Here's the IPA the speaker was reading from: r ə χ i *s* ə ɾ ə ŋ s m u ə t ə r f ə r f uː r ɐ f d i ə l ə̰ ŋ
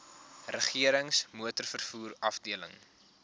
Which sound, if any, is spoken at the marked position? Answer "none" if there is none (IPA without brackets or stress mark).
none